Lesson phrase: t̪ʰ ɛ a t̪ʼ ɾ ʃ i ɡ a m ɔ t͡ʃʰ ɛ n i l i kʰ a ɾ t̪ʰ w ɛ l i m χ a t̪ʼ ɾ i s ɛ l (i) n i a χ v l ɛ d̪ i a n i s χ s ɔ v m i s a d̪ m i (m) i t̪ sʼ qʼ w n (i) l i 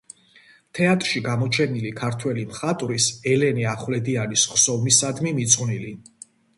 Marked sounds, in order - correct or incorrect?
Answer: incorrect: ɛ, correct, correct

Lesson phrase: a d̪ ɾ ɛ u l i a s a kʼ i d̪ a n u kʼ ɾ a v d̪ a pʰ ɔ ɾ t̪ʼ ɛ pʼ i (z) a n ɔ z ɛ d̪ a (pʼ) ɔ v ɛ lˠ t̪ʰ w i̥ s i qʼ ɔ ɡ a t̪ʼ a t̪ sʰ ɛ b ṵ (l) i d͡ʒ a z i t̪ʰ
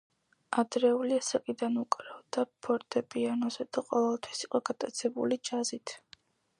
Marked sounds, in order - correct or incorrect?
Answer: incorrect: none, incorrect: qʼ, correct

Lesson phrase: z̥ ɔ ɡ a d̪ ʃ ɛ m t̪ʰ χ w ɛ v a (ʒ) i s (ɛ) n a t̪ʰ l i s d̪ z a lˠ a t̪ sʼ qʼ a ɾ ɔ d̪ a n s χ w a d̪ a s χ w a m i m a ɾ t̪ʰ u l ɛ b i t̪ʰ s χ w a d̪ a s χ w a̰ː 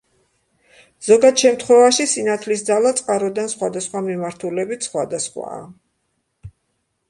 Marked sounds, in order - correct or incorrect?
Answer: incorrect: ʃ, incorrect: i

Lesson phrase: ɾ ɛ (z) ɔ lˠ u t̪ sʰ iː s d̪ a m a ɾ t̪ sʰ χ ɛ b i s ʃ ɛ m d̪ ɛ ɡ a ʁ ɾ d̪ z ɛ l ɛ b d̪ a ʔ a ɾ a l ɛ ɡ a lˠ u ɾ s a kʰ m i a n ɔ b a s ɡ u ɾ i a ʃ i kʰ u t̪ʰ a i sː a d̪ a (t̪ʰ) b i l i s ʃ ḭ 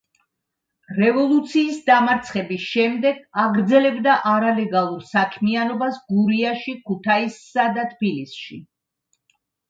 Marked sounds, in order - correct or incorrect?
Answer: incorrect: v, correct

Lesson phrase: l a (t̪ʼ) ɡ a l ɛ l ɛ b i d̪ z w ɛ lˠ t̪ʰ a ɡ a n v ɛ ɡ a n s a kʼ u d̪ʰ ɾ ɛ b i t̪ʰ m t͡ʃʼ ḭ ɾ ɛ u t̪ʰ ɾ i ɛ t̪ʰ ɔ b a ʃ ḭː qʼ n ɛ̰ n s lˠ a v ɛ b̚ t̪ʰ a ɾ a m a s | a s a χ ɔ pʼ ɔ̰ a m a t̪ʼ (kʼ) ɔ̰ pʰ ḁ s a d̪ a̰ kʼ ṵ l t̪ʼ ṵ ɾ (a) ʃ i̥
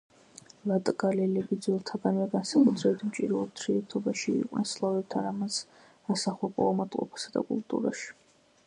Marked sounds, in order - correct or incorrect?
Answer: correct, incorrect: qʼ, correct

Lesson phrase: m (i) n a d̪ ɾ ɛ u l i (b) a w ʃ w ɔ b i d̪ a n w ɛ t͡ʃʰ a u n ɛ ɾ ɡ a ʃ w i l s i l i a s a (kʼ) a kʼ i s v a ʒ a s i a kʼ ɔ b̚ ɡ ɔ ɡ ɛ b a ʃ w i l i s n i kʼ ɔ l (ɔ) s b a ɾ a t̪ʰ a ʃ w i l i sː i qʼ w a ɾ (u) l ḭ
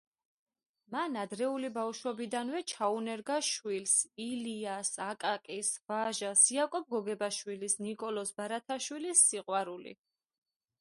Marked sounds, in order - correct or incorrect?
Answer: incorrect: a, correct, correct, correct, correct

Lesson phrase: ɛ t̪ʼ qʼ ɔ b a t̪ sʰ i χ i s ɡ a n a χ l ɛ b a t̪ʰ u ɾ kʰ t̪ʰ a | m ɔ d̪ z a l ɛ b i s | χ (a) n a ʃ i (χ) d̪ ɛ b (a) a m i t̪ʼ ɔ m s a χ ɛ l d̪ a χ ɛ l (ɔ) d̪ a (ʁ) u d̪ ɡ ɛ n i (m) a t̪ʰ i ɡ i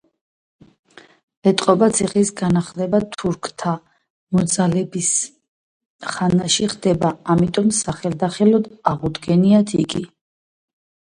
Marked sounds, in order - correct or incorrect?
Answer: correct, correct, correct, correct, correct, incorrect: none

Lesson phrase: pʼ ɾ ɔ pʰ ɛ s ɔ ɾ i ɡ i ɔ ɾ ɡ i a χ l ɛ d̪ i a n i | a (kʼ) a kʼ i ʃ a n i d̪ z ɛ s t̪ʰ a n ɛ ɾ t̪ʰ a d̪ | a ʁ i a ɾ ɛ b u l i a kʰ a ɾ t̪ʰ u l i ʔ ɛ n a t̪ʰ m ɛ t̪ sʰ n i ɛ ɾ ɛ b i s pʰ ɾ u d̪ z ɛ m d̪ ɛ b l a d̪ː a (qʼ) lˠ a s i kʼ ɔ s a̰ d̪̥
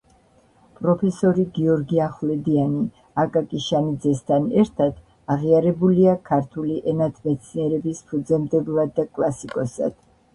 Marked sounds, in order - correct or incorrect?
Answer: correct, incorrect: kʼ

